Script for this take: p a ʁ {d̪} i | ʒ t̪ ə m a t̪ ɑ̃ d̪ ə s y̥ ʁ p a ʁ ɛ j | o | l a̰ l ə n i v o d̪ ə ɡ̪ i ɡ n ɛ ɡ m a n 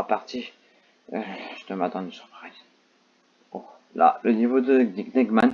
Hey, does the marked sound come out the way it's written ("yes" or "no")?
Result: no